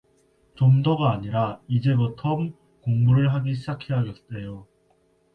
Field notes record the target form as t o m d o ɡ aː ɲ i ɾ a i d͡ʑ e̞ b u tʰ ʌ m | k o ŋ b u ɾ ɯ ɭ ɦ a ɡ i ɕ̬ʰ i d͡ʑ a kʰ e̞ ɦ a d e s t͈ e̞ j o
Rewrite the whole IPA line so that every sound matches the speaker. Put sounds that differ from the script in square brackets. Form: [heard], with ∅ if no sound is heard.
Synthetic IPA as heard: [t͡ɕ] o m d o ɡ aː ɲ i ɾ a i d͡ʑ e̞ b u tʰ ʌ m | k o ŋ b u ɾ ɯ ɭ ɦ a ɡ i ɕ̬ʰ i d͡ʑ a kʰ e̞ ɦ a [ɡ] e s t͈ e̞ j o

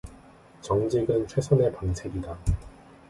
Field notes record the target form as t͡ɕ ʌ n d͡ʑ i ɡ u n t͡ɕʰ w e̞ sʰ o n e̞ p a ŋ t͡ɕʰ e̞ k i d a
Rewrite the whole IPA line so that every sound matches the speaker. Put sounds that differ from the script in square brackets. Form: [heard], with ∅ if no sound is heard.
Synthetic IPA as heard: t͡ɕ ʌ [ŋ] d͡ʑ i ɡ [ɯ] n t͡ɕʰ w e̞ sʰ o n e̞ p a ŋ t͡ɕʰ e̞ [ɡ] i d a

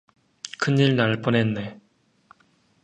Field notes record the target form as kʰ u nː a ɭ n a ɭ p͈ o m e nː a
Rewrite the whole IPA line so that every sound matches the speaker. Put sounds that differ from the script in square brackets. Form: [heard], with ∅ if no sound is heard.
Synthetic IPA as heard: kʰ [ɯ] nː [i] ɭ n a ɭ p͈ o [n] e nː [e]

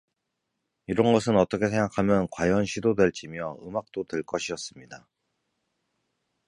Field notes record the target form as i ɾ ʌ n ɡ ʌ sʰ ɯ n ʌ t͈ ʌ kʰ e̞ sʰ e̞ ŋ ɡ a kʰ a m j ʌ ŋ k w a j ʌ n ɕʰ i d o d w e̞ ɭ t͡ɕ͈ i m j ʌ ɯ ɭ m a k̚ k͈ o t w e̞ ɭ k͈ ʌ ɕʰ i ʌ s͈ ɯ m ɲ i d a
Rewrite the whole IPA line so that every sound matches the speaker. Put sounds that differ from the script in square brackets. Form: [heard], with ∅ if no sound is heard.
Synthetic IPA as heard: i ɾ ʌ n ɡ ʌ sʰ ɯ n ʌ t͈ ʌ kʰ e̞ sʰ e̞ ŋ ɡ a kʰ a m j ʌ [n] k w a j ʌ n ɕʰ i d o d w e̞ ɭ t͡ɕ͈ i m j ʌ ɯ [∅] m a k̚ [t͈] o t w e̞ ɭ k͈ ʌ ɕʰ i ʌ s͈ ɯ m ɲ i d a

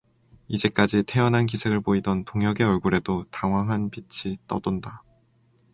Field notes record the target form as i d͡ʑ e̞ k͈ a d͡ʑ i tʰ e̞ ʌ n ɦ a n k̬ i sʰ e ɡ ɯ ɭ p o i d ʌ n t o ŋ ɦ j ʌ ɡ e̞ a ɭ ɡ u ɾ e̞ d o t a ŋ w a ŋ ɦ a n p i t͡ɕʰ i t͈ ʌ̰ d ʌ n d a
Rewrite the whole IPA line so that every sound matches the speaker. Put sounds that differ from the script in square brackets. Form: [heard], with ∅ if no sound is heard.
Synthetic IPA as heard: i d͡ʑ e̞ k͈ a d͡ʑ i tʰ e̞ ʌ n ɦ a n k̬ i sʰ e ɡ ɯ ɭ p o i d ʌ n t o ŋ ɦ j ʌ ɡ e̞ [ʌ] ɭ ɡ u ɾ e̞ d o t a ŋ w a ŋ ɦ a n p i t͡ɕʰ i t͈ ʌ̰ d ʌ n d a

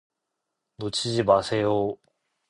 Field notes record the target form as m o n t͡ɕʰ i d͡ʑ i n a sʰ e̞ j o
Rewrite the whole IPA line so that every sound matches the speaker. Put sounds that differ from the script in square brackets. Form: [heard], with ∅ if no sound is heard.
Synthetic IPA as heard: [n] o [∅] t͡ɕʰ i d͡ʑ i [m] a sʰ e̞ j o

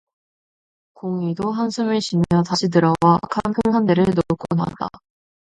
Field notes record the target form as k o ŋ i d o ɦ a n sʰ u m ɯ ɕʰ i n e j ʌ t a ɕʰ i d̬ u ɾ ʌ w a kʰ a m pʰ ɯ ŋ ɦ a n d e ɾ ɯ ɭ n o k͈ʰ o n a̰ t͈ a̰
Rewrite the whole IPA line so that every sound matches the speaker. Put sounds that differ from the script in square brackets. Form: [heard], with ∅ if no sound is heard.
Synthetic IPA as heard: k o ŋ i d o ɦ a n sʰ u m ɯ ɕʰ i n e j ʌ t a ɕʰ i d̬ [ɯ] ɾ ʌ w a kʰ a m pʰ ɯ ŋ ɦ a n d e ɾ ɯ ɭ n o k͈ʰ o n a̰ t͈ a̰

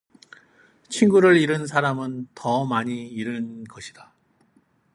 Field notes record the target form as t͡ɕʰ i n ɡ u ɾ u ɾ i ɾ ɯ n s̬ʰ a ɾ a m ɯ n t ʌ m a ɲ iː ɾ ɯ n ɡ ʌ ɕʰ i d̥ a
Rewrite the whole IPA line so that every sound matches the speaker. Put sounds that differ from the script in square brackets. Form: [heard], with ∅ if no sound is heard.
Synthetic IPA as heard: t͡ɕʰ i n ɡ u ɾ [ɯ] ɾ i ɾ ɯ n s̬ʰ a ɾ a m ɯ n t ʌ m a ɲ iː ɾ ɯ n ɡ ʌ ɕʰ i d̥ a

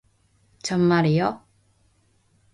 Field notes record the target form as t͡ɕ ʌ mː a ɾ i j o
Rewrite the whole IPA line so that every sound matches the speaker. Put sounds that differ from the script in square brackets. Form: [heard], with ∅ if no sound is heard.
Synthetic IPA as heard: t͡ɕ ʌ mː a ɾ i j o

